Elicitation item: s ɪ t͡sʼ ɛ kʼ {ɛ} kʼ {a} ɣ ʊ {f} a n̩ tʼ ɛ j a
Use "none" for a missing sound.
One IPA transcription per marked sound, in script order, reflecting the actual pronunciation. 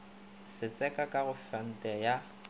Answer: a, a, f

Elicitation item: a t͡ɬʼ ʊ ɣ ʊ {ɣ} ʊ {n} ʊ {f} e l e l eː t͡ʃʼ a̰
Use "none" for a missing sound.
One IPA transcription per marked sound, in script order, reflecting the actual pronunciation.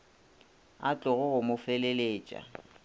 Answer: ɣ, m, f

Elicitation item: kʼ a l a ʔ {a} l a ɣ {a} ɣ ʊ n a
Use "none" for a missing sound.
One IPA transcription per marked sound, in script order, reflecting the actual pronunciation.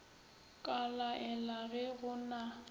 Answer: ɛ, ɛ

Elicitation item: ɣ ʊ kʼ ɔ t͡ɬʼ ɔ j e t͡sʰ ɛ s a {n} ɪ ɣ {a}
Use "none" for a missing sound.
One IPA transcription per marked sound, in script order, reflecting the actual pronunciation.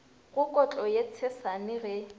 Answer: n, ɛ

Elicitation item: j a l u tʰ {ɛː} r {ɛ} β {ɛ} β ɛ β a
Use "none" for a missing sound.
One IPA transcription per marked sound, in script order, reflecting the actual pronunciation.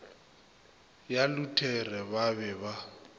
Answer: ɛ, ɛ, a

